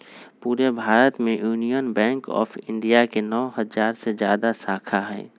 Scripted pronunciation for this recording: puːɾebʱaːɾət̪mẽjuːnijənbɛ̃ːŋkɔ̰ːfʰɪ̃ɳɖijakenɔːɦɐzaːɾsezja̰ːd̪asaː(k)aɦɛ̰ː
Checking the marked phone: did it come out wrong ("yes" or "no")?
yes